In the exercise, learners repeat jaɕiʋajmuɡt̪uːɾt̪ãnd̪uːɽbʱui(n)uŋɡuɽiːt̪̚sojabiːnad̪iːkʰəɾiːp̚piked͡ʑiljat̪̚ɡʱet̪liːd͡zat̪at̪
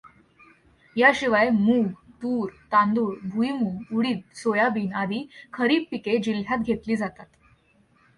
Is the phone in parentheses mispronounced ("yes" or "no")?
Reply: yes